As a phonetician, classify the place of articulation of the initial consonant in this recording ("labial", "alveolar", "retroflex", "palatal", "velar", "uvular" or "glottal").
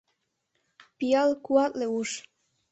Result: labial